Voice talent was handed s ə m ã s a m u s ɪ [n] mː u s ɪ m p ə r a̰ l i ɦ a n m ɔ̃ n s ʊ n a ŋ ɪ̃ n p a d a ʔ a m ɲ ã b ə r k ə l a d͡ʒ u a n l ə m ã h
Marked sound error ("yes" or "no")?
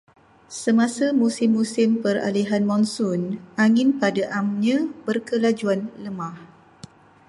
yes